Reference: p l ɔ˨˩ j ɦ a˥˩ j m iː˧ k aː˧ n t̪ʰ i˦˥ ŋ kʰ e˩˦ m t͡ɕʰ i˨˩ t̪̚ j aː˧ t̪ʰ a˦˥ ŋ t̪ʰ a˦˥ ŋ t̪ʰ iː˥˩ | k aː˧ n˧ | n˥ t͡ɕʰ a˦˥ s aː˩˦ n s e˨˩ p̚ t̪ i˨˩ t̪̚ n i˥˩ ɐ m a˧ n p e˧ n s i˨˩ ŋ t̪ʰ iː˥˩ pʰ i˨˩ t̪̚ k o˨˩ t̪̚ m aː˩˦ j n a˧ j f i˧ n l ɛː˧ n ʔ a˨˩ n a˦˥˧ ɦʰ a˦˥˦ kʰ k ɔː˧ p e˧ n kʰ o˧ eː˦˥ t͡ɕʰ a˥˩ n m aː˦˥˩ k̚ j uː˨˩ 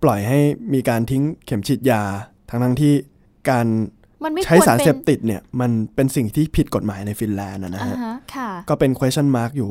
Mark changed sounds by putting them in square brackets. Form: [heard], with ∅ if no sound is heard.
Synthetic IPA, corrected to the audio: p l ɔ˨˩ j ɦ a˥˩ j m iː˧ k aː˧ n t̪ʰ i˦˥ ŋ kʰ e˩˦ m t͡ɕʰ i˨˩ t̪̚ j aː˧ t̪ʰ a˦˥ ŋ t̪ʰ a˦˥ ŋ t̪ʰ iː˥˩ | k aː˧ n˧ | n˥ t͡ɕʰ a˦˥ s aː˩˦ n s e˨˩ p̚ t̪ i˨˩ t̪̚ n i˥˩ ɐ m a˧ n p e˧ n s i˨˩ ŋ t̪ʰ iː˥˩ pʰ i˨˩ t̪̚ k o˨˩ t̪̚ m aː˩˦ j n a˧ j f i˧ n l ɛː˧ n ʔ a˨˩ n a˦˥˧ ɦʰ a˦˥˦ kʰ k [ɔː˥˩] p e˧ n kʰ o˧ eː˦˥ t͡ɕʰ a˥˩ n m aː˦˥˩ k̚ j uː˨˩